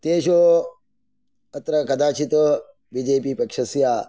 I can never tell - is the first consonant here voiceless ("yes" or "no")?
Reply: yes